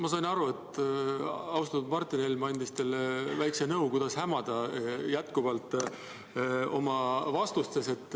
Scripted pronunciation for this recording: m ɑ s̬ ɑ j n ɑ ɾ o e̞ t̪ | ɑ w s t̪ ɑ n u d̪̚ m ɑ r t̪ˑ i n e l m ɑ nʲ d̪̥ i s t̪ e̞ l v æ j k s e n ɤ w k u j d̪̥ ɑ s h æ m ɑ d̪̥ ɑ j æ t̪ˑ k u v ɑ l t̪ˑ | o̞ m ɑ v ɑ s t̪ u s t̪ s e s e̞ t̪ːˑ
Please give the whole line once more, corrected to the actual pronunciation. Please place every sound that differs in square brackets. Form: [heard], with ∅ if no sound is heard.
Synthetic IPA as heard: m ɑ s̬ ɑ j n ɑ ɾ [u] e̞ t̪ | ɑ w s t̪ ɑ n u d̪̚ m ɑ r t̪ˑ i n e l m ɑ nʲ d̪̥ i s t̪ e̞ l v æ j k s e n ɤ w k u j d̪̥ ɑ s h æ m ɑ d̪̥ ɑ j æ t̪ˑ k u v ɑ l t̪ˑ | o̞ m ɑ v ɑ s t̪ u s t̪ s e s e̞ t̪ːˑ